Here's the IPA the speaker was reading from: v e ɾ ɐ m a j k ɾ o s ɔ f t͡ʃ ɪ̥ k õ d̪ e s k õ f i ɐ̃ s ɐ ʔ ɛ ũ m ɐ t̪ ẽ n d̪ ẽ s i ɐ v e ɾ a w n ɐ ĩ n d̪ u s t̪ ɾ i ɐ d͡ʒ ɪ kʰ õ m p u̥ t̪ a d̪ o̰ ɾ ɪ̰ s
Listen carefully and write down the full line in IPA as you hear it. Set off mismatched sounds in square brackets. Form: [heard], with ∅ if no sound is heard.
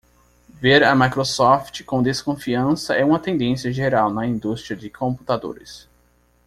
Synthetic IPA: v e ɾ ɐ m a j k ɾ o s ɔ f t͡ʃ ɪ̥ k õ d̪ e s k õ f i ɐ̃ s ɐ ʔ ɛ ũ m ɐ t̪ ẽ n d̪ ẽ s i ɐ [ʒ] e ɾ a w n ɐ ĩ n d̪ u s t̪ ɾ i ɐ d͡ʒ ɪ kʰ õ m p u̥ t̪ a d̪ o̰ ɾ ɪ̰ s